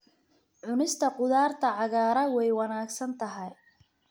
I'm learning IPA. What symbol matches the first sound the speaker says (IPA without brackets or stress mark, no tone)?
ʕ